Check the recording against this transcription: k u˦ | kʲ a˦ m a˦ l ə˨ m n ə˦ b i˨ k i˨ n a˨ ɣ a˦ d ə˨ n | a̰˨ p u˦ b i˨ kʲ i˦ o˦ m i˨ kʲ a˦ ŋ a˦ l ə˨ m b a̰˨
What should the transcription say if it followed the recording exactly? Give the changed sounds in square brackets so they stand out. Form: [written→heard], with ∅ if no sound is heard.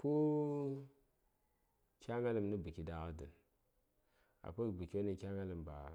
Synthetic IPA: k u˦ | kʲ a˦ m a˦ l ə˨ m n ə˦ b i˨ k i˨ [n→d] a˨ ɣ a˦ d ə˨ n | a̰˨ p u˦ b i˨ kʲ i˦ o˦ [m→n] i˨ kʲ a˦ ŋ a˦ l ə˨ m b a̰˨